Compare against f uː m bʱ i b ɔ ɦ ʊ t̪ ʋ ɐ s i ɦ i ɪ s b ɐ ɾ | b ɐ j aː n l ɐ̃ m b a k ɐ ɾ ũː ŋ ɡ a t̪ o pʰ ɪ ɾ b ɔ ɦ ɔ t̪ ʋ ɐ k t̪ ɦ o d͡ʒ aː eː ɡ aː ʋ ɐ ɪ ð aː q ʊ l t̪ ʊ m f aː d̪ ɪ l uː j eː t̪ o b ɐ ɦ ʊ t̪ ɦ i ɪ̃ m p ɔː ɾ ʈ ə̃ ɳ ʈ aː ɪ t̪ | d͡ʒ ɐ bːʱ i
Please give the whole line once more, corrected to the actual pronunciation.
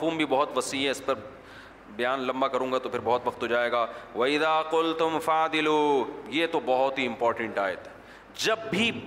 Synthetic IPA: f uː m bʱ i b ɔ ɦ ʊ t̪ ʋ ɐ s i ɦ ɛ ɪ s p ɐ ɾ | b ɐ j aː n l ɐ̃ m b a k ɐ ɾ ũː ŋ ɡ a t̪ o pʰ ɪ ɾ b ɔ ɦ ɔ t̪ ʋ ɐ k t̪ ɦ o d͡ʒ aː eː ɡ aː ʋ ɐ ɪ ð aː q ʊ l t̪ ʊ m f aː d̪ ɪ l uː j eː t̪ o b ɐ ɦ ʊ t̪ ɦ i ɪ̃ m p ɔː ɾ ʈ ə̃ ɳ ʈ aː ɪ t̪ | d͡ʒ ɐ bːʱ i